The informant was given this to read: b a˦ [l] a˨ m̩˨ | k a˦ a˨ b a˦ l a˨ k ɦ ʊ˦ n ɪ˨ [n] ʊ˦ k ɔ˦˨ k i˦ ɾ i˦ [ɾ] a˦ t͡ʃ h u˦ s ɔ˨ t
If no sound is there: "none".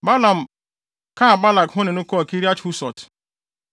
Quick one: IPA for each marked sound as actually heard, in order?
l, n, none

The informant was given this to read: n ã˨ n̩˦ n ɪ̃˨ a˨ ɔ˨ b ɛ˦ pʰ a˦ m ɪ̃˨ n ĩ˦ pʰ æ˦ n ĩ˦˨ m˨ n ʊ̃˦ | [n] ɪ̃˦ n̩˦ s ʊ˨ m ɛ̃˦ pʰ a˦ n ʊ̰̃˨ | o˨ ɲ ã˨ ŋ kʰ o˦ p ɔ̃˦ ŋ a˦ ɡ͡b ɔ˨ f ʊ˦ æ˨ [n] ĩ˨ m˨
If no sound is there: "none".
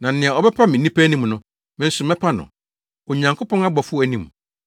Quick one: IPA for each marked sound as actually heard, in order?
m, n

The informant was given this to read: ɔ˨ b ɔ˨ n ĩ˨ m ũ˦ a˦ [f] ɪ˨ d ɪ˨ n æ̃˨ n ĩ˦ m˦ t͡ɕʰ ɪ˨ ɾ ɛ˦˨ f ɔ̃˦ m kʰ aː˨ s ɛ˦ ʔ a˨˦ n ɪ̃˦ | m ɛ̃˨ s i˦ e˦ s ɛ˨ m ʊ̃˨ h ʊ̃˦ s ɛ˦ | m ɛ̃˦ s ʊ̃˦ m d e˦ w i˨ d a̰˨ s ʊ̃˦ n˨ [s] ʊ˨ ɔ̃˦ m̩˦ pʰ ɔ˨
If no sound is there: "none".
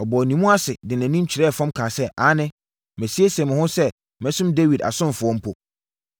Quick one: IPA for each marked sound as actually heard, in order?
s, f

